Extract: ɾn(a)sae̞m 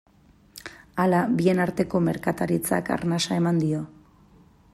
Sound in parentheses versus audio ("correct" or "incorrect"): correct